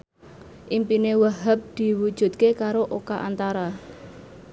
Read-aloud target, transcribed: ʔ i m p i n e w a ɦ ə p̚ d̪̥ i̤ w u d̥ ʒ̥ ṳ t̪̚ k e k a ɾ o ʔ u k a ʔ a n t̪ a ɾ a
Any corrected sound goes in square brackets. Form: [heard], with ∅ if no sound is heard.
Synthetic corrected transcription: ʔ i m p i n e w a ɦ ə p̚ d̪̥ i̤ w u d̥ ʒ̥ ṳ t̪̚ k e k a ɾ o ʔ [o] k a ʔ a n t̪ a ɾ a